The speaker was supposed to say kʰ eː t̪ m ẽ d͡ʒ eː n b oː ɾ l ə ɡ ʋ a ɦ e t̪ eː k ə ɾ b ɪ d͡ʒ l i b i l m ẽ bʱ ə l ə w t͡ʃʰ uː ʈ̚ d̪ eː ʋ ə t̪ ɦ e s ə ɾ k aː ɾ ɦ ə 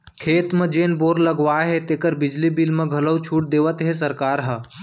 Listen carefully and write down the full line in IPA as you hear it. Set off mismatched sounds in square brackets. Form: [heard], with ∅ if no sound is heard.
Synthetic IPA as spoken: kʰ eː t̪ m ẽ d͡ʒ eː n b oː ɾ l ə ɡ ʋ a ɦ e t̪ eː k ə ɾ b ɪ d͡ʒ l i b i l m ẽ [ɡʱ] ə l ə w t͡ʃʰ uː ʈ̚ d̪ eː ʋ ə t̪ ɦ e s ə ɾ k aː ɾ ɦ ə